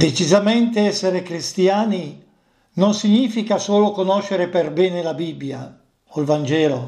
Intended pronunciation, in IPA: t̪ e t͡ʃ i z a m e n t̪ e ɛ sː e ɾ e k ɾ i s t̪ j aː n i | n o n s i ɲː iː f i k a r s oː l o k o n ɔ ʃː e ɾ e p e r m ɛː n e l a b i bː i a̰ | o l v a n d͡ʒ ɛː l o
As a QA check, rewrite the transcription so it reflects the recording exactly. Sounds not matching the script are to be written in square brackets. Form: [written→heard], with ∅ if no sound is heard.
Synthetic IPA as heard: [t̪→d̪] e t͡ʃ i z a m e n t̪ e ɛ sː e ɾ e k ɾ i s t̪ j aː n i | n o n s i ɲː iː f i k a [r→∅] s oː l o k o n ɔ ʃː e ɾ e p e r [m→b] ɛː n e l a b i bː [i→j] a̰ | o l v a n d͡ʒ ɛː l o